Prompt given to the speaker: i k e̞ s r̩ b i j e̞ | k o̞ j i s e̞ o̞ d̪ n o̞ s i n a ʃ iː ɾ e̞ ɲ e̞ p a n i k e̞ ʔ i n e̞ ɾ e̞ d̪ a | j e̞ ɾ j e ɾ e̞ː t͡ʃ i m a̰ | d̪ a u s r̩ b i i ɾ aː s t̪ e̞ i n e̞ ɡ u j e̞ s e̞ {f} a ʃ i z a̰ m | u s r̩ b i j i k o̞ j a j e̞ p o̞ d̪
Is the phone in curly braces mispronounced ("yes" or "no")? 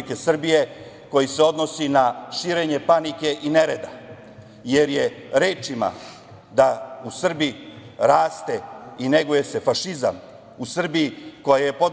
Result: no